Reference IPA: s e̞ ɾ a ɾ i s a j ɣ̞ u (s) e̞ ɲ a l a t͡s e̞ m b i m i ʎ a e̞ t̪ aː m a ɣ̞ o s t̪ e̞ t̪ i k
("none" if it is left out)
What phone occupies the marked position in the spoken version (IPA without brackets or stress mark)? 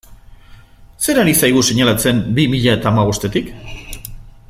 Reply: s